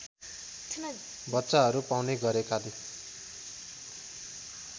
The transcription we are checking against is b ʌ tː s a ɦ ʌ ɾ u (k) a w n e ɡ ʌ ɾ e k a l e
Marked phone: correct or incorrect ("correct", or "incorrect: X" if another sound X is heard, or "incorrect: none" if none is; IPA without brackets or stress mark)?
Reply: incorrect: p